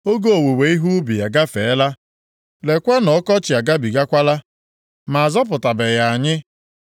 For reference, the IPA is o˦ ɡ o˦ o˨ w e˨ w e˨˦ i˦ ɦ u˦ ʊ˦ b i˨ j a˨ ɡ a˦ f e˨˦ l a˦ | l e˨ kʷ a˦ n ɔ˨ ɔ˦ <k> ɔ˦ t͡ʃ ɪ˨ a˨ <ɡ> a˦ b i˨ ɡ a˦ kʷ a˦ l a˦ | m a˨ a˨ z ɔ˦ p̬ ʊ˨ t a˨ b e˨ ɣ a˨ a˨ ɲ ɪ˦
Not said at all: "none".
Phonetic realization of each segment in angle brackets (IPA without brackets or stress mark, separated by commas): k, ɡ